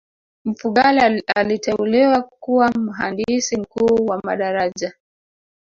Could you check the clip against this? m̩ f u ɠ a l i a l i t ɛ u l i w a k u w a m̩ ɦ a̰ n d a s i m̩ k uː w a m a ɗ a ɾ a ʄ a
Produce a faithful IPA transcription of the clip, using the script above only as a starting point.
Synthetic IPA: m̩ f u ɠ a l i a l i t ɛ u l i w a k u w a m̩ ɦ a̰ n d i s i m̩ k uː w a m a ɗ a ɾ a ʄ a